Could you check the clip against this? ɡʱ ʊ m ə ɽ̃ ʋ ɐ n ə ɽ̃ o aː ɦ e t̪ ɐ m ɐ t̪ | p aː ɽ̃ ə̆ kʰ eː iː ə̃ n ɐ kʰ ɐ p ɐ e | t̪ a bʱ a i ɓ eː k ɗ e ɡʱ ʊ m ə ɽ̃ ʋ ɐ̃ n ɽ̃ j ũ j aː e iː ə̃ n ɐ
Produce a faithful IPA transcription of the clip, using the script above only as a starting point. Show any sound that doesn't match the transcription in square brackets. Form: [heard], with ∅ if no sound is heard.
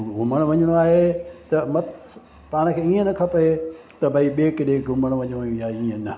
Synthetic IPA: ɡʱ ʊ m ə ɽ̃ ʋ ɐ [ɲ] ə ɽ̃ o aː ɦ e t̪ ɐ m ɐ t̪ | p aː ɽ̃ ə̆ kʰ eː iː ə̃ n ɐ kʰ ɐ p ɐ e | t̪ [ɐ] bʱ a i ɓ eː k ɗ e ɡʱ ʊ m ə ɽ̃ ʋ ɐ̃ [ɲ] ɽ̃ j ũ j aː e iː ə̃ n ɐ

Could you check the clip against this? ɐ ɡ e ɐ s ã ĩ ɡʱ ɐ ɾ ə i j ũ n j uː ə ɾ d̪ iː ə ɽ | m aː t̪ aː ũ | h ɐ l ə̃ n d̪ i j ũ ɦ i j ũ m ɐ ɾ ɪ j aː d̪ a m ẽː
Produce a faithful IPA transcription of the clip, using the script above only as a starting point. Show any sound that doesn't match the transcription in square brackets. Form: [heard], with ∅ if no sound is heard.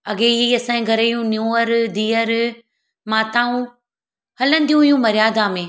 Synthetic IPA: ɐ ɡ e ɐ s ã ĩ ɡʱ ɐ ɾ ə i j ũ n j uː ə ɾ d̪ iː ə [ɾ] | m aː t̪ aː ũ | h ɐ l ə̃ n d̪ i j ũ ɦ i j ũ m ɐ ɾ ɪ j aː d̪ a m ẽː

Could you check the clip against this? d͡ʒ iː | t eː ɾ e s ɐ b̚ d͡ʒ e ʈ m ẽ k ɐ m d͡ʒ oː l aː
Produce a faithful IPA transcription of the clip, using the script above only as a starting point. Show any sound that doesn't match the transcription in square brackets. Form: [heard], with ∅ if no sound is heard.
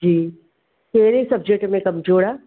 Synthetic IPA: d͡ʒ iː | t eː ɾ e s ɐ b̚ d͡ʒ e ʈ m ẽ k ɐ m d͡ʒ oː [ɽ] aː

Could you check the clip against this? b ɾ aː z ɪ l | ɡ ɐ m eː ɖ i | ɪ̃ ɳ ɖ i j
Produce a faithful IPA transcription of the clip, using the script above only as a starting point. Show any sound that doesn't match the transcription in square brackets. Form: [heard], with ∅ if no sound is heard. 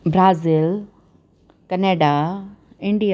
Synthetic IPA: b ɾ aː z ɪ l | [k] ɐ [n] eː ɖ [a] | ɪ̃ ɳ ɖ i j

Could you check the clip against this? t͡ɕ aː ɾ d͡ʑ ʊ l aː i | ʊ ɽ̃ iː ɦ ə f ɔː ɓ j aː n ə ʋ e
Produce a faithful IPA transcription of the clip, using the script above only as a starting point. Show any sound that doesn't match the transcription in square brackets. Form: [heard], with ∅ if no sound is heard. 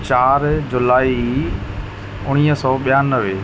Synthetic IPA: t͡ɕ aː ɾ d͡ʑ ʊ l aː i | ʊ ɽ̃ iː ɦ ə [s] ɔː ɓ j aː n ə ʋ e

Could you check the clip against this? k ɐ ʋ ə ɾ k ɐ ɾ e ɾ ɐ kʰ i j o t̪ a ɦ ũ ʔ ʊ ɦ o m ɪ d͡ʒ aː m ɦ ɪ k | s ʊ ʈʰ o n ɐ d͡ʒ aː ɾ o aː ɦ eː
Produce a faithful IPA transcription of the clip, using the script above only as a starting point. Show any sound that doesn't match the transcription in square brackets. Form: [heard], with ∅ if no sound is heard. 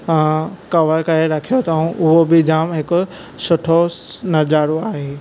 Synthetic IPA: k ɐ ʋ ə ɾ k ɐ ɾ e ɾ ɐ kʰ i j o t̪ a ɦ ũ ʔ ʊ ɦ o [b] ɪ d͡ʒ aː m ɦ ɪ k | s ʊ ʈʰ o n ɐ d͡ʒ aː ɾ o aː ɦ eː

